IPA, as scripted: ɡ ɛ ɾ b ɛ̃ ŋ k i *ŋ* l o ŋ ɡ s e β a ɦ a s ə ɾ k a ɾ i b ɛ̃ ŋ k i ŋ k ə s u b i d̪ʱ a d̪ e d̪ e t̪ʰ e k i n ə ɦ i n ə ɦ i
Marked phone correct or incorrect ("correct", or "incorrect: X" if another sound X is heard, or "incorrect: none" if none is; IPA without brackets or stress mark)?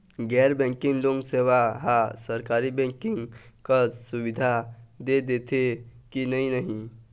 correct